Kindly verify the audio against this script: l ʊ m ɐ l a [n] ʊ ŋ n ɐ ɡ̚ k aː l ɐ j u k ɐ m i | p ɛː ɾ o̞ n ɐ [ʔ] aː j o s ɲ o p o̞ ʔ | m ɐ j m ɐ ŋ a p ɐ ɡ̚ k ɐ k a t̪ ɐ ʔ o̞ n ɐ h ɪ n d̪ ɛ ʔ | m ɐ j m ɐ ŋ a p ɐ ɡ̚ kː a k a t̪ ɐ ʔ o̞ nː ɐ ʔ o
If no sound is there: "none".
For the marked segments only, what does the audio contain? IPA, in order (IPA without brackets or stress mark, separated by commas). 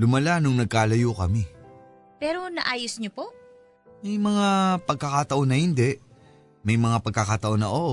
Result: n, ʔ